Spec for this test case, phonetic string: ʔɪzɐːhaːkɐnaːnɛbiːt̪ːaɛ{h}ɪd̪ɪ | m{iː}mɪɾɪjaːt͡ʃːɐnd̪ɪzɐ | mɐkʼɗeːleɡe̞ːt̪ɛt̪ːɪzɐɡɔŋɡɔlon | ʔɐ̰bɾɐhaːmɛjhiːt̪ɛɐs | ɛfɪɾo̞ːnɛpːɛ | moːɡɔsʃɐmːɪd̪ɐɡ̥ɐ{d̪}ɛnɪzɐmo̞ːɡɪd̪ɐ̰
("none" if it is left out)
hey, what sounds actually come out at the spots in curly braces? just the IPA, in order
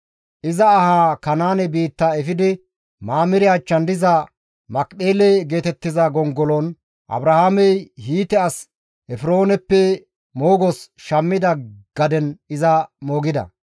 f, aː, d̪

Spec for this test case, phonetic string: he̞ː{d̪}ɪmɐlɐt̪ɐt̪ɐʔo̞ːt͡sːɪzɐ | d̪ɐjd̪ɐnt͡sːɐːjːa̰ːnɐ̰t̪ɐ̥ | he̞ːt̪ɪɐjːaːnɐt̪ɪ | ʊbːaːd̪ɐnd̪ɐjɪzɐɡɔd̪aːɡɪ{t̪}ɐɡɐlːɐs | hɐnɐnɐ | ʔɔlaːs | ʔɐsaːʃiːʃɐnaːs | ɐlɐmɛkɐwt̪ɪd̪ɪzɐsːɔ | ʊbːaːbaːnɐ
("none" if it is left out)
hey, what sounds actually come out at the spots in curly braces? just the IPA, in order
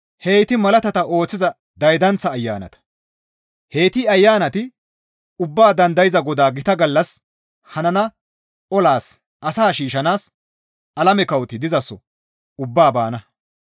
t̪, t̪

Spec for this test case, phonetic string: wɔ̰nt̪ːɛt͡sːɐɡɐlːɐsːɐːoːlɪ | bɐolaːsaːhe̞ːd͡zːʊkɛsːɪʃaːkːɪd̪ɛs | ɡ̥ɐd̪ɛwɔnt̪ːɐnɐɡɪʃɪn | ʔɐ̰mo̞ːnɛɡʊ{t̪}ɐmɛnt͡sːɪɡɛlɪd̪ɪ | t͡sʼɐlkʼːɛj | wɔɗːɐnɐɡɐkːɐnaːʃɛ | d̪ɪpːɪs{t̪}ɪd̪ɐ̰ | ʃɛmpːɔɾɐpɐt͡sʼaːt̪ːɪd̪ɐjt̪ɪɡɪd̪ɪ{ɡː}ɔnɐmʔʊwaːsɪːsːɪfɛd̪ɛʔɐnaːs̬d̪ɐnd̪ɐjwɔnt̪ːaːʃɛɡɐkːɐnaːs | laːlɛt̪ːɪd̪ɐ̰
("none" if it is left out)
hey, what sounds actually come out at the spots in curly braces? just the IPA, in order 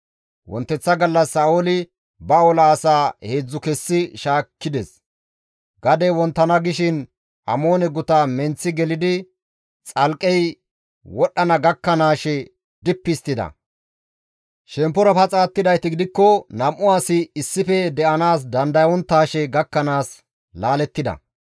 t̪, t̪, kː

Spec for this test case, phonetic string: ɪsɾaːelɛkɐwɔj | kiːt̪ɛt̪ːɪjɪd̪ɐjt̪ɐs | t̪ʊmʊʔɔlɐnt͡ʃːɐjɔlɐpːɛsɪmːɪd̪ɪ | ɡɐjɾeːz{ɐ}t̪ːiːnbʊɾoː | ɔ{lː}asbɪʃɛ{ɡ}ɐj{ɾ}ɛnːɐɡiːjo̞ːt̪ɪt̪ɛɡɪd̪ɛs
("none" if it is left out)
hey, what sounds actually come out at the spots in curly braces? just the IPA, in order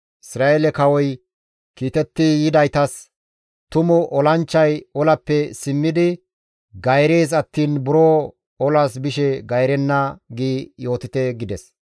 ɐ, l, ɡ, ɾ

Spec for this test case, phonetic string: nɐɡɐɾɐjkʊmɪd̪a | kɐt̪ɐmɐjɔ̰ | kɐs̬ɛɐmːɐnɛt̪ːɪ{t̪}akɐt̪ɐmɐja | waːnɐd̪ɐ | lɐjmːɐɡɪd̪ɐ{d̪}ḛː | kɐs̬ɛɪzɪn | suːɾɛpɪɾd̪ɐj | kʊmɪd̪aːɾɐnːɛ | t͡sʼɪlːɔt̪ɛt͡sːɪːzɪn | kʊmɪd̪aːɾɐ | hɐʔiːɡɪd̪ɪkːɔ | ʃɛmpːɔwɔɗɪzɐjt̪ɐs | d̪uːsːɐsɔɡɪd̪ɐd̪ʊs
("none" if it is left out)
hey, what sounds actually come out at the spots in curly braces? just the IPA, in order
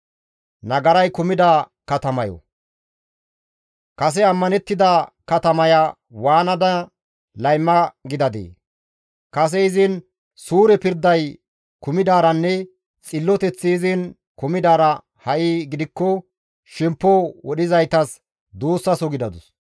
d̪, d̪

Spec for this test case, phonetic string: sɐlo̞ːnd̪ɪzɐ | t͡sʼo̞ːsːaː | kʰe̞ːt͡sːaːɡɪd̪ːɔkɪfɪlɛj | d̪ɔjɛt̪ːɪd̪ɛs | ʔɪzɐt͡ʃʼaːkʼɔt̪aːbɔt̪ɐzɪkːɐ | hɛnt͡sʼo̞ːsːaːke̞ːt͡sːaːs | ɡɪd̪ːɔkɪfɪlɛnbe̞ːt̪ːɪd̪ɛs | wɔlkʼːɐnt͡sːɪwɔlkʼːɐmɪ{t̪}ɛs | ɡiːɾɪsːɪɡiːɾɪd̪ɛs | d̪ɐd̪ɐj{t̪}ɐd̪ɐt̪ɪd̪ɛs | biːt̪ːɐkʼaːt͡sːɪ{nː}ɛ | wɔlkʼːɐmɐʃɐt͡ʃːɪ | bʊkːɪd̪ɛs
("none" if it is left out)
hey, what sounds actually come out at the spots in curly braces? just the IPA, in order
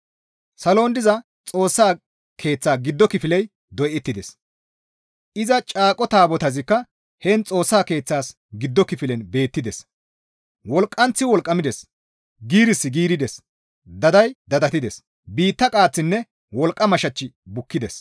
d̪, d̪, nː

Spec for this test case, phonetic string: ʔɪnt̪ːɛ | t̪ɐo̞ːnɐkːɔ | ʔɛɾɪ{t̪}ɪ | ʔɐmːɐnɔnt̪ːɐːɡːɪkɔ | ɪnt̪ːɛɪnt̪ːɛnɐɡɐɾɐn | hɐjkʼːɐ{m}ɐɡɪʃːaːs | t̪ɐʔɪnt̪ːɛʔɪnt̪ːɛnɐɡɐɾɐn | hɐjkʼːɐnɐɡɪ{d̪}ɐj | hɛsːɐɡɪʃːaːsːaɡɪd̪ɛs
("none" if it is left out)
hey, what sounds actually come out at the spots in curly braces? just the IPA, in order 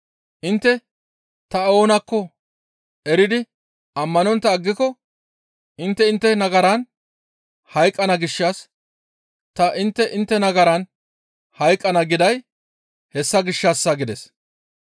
d̪, n, d̪

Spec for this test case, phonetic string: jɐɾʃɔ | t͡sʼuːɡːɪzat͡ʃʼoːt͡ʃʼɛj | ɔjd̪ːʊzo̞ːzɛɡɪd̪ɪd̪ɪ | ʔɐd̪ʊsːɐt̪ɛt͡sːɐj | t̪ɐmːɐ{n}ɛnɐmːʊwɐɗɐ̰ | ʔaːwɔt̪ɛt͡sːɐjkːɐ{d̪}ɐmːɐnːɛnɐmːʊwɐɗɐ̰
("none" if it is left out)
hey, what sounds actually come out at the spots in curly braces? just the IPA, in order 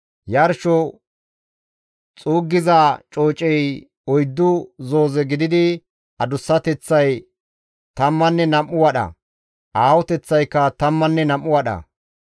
nː, t̪

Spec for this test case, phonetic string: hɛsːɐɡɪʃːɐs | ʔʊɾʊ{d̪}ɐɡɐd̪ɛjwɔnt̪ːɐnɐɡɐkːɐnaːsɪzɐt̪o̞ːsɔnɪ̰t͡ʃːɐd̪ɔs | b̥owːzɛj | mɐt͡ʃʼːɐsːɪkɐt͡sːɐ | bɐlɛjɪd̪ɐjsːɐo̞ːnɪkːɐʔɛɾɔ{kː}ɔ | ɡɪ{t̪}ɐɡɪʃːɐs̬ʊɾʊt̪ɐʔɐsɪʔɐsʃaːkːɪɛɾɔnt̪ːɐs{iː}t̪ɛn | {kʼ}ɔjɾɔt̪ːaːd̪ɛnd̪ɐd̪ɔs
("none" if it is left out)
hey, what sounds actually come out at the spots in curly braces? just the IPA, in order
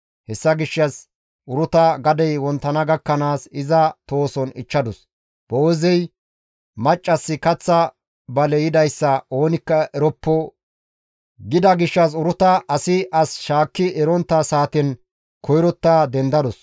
t̪, pː, d̪, aː, k

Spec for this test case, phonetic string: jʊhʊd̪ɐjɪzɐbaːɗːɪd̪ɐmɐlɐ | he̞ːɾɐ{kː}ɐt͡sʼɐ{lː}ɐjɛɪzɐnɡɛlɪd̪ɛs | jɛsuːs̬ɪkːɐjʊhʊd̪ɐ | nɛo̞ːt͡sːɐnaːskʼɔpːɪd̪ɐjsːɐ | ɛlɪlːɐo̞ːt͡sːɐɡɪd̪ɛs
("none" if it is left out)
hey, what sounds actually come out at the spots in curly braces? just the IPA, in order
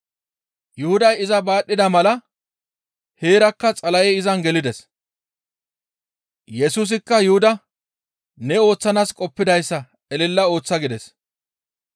kː, l

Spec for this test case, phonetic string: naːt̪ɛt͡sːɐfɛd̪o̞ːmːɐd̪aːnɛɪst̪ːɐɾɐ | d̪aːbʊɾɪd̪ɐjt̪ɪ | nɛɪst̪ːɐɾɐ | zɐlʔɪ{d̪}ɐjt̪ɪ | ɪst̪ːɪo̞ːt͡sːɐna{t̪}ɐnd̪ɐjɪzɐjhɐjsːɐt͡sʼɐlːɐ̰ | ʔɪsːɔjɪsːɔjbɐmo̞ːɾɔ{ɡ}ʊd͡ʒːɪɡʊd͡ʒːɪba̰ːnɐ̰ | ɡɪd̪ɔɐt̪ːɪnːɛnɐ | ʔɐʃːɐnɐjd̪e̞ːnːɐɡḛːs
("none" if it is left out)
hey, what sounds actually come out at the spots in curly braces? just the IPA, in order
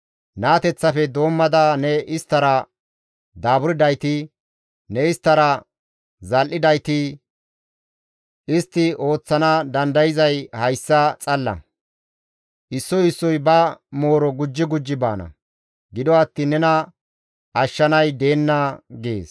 d̪, d̪, ɡ

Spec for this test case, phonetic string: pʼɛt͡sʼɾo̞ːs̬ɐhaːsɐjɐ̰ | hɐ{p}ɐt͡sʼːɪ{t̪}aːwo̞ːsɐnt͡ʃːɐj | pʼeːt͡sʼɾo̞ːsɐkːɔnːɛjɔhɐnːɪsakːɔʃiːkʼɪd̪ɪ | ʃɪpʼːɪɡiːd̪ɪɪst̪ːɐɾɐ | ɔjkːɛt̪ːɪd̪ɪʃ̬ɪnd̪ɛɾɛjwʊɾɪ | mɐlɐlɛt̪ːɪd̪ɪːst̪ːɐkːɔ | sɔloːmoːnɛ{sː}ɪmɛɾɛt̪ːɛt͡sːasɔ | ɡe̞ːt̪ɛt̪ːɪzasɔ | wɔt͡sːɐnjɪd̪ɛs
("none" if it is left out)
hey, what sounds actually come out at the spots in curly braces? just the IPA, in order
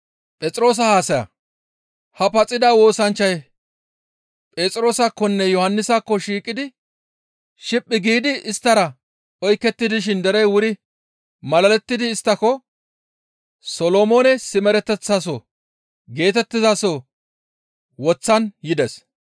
p, d̪, s

